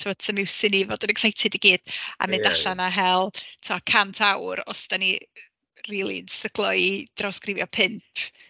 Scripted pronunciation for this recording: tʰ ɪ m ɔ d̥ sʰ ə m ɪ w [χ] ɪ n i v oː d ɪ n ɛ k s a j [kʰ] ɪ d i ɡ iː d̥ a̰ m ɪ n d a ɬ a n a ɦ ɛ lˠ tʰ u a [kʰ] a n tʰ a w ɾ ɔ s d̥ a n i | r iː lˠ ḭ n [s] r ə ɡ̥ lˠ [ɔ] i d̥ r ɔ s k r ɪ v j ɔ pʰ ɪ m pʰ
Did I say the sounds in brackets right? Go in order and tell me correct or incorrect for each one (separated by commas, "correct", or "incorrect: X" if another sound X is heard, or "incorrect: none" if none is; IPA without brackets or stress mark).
incorrect: s, incorrect: tʰ, correct, correct, correct